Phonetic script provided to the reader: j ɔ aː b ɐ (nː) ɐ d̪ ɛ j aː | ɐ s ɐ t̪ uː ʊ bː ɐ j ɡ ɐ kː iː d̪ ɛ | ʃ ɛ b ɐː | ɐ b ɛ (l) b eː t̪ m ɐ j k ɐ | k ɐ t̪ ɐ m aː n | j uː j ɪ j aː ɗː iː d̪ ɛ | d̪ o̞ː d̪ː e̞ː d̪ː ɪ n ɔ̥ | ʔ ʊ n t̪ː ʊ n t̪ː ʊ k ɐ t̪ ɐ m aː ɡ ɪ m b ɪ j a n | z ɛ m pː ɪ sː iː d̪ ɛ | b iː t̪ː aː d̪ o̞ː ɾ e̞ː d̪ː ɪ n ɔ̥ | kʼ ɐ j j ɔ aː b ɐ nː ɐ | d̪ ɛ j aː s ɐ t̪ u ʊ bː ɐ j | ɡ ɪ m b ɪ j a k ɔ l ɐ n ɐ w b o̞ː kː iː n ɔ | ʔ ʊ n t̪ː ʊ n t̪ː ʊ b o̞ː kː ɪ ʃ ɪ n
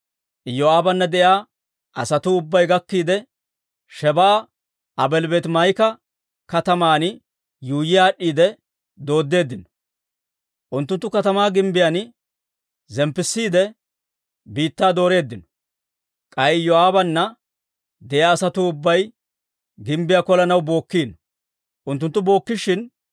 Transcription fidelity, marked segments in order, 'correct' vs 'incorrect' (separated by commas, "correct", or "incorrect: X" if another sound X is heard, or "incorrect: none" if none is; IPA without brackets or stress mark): correct, correct